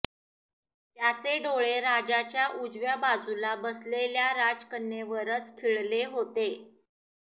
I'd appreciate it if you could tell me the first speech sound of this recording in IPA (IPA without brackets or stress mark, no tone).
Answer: t̪